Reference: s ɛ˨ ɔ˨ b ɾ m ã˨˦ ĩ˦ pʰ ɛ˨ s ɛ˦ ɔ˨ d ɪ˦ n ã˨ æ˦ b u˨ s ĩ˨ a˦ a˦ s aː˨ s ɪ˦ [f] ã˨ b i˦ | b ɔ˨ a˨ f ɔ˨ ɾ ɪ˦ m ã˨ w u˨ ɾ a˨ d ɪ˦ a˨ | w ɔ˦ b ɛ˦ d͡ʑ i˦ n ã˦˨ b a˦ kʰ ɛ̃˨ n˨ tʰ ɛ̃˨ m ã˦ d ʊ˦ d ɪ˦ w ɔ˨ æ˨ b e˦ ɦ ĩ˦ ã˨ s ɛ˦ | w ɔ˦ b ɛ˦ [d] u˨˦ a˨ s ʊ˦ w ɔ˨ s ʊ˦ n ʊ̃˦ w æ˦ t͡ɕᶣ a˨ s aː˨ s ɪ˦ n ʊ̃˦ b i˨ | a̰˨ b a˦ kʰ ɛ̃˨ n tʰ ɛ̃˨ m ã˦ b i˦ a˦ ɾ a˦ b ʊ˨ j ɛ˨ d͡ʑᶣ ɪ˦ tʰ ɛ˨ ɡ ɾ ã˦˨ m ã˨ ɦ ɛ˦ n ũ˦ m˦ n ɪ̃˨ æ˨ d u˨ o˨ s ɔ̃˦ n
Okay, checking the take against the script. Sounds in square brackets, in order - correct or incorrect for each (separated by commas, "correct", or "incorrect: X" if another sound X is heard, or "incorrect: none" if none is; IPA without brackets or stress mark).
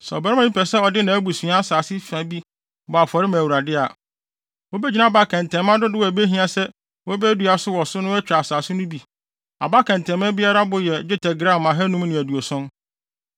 correct, correct